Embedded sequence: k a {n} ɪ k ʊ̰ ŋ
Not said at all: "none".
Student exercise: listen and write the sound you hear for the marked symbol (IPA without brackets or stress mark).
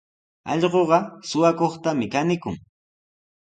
n